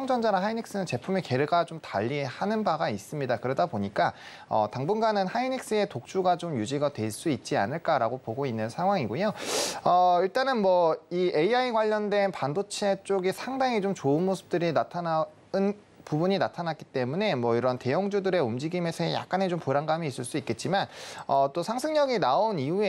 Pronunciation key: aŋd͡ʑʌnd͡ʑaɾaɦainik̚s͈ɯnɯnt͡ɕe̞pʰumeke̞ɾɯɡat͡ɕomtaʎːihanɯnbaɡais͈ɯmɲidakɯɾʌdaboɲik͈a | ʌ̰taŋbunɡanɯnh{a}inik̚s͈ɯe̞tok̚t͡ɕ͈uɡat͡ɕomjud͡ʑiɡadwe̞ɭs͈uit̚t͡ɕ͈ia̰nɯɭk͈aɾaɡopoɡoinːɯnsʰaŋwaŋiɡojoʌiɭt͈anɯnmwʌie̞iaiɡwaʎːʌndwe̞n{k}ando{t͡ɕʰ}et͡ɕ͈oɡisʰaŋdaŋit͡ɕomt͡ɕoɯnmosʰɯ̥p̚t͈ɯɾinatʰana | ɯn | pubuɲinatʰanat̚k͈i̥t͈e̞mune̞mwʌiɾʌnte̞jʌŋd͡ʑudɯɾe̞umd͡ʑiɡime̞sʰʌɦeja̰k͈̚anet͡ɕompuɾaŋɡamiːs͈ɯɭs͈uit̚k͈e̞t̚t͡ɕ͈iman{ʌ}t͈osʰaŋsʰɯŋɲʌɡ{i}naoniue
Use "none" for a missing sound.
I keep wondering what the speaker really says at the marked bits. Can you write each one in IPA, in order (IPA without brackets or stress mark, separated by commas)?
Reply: a, p, t͡ɕʰ, ʌ, i